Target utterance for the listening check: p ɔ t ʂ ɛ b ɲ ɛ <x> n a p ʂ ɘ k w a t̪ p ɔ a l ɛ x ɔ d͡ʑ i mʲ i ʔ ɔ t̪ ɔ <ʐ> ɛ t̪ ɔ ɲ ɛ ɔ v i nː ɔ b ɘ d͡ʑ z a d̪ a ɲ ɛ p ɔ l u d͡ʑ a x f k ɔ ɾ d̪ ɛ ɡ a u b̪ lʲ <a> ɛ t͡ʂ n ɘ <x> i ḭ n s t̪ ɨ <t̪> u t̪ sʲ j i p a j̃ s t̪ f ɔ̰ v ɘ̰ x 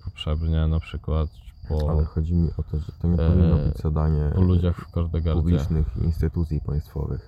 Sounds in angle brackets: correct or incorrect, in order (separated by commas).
incorrect, correct, incorrect, correct, correct